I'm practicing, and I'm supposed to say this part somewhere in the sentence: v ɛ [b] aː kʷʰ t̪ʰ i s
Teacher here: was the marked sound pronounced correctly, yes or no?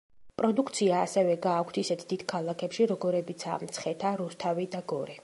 no